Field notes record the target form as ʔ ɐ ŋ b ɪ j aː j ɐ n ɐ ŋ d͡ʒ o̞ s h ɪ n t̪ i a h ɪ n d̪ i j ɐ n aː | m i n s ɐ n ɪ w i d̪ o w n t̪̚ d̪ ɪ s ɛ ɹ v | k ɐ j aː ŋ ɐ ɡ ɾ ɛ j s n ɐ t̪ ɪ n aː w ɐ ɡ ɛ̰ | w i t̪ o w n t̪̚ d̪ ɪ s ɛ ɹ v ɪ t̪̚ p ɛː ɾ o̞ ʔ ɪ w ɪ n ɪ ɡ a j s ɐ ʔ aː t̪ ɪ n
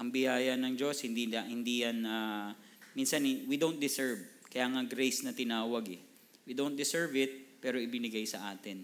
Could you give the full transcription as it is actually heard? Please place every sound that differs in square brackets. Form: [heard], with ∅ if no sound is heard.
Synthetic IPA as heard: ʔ ɐ ŋ b ɪ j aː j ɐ n ɐ ŋ d͡ʒ o̞ s h ɪ n [d̪] i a h ɪ n d̪ i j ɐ n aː | m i n s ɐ n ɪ w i d̪ o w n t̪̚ d̪ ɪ s ɛ ɹ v | k ɐ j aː ŋ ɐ ɡ ɾ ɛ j s n ɐ t̪ ɪ n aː w ɐ ɡ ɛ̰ | w i [d̪] o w n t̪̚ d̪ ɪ s ɛ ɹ v ɪ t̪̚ p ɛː ɾ o̞ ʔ ɪ [b] ɪ n ɪ ɡ a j s ɐ ʔ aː t̪ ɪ n